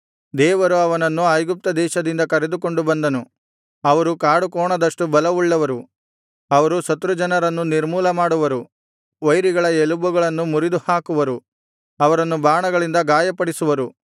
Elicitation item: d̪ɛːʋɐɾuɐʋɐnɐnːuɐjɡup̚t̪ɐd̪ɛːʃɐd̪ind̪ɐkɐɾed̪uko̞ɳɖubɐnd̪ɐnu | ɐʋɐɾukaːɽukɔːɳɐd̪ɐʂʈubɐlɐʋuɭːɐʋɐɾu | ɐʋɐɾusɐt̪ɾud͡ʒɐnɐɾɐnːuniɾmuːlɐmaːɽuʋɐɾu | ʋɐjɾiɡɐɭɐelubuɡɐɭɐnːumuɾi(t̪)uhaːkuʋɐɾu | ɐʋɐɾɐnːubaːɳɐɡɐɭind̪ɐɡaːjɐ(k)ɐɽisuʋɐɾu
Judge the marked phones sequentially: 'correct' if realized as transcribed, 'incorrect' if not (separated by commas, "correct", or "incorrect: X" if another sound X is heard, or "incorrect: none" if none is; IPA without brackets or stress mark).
incorrect: d̪, incorrect: p